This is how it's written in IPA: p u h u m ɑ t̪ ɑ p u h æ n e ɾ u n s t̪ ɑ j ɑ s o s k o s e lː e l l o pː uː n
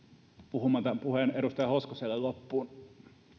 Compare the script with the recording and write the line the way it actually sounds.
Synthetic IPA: p u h u m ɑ t̪ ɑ p u h e n e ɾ u s t̪ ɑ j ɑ h o s k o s e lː e l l o pː uː n